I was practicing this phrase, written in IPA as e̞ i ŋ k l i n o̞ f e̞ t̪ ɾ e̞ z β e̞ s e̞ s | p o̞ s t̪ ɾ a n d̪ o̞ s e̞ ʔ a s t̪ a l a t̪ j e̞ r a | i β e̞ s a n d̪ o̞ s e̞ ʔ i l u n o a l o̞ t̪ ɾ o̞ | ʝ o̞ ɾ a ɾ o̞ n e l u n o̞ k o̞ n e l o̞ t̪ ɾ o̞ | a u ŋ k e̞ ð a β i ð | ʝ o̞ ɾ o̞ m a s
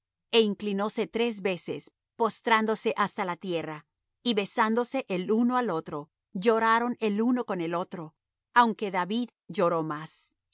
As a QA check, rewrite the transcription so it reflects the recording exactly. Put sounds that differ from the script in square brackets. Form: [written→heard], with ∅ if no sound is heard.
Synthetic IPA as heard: e̞ i ŋ k l i n o̞ [f→s] e̞ t̪ ɾ e̞ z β e̞ s e̞ s | p o̞ s t̪ ɾ a n d̪ o̞ s e̞ ʔ a s t̪ a l a t̪ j e̞ r a | i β e̞ s a n d̪ o̞ s e̞ ʔ [i→e] l u n o a l o̞ t̪ ɾ o̞ | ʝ o̞ ɾ a ɾ o̞ n e l u n o̞ k o̞ n e l o̞ t̪ ɾ o̞ | a [u→w] ŋ k e̞ ð a β i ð | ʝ o̞ ɾ o̞ m a s